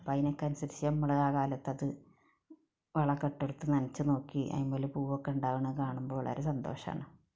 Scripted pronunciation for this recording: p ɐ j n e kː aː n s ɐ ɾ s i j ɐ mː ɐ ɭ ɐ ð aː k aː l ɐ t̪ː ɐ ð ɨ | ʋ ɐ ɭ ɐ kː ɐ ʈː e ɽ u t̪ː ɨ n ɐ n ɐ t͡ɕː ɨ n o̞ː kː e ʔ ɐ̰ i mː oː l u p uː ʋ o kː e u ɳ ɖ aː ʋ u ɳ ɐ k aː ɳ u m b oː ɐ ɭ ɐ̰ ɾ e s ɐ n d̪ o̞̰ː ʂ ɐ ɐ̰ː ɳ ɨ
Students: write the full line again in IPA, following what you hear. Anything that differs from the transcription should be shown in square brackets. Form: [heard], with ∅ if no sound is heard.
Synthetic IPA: p ɐ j n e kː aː n s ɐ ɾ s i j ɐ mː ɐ ɭ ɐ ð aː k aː l ɐ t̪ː ɐ ð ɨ | ʋ ɐ ɭ ɐ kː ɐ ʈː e ɽ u t̪ː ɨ n ɐ n ɐ t͡ɕː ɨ n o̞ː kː [i] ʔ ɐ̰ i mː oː l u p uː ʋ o kː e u ɳ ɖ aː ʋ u ɳ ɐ k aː ɳ u m b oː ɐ ɭ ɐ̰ ɾ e s ɐ n d̪ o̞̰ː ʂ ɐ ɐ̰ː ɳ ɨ